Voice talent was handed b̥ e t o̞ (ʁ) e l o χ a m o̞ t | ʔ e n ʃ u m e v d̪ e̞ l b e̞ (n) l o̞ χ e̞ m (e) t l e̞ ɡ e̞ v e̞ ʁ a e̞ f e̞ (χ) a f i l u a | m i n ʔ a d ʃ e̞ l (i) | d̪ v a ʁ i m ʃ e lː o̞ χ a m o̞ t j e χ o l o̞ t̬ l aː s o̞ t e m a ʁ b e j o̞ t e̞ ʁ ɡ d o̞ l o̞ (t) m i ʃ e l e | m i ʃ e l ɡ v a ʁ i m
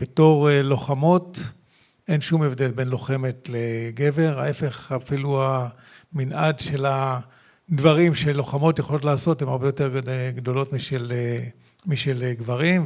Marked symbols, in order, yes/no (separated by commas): yes, yes, yes, yes, no, yes